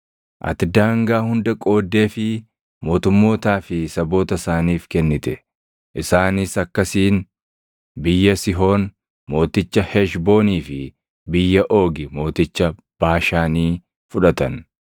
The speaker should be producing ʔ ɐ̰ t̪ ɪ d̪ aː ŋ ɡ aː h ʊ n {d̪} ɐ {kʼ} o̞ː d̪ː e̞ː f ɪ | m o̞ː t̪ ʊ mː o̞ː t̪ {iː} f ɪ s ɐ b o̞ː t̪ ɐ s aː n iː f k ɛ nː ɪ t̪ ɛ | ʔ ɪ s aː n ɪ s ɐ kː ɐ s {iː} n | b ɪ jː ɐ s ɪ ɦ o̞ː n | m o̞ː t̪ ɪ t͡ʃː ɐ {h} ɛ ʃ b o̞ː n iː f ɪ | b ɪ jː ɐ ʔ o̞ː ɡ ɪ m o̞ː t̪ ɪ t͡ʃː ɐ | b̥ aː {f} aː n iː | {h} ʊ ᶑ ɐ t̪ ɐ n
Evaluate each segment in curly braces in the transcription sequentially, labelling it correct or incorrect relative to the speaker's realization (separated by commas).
correct, correct, incorrect, correct, correct, incorrect, incorrect